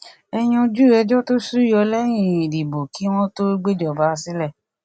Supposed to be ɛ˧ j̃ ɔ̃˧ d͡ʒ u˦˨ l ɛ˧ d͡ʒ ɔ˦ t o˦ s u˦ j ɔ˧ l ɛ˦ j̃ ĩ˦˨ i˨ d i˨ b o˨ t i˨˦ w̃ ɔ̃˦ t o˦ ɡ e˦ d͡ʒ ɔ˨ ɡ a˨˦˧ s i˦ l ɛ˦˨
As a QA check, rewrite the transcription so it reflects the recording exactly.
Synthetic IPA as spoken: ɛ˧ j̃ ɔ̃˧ d͡ʒ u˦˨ ɾ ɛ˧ d͡ʒ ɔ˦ t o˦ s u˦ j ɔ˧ l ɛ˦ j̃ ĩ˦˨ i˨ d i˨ b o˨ k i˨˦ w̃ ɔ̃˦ t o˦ ɡ͡b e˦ d͡ʒ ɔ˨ b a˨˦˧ s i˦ l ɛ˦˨